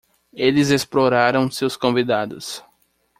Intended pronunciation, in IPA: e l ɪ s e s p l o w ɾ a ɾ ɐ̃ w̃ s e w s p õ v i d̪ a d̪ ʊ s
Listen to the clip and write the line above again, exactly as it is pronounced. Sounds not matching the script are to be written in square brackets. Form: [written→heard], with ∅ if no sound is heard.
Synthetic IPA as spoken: e l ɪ [s→z] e s p l o [w→∅] ɾ a ɾ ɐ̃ w̃ s e w s [p→k] õ v i d̪ a d̪ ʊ s